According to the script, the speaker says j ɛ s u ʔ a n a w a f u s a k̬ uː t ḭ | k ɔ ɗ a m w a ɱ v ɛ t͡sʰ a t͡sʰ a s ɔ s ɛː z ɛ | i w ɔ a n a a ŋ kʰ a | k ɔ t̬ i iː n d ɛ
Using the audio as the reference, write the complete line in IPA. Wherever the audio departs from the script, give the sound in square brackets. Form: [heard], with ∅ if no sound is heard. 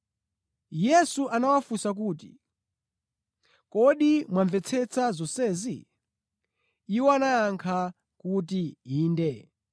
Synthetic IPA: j ɛ s u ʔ a n a w a f u s a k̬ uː t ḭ | k ɔ ɗ [i] m w a ɱ v ɛ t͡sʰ [ɛ] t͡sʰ a [z] ɔ s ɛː z [i] | i w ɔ a n a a ŋ kʰ a | k [u] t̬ i iː n d ɛ